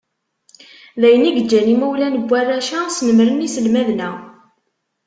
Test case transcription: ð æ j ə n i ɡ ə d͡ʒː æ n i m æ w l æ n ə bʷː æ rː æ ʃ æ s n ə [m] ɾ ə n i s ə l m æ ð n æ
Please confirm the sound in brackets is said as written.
yes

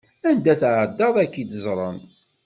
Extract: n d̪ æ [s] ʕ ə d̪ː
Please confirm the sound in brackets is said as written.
no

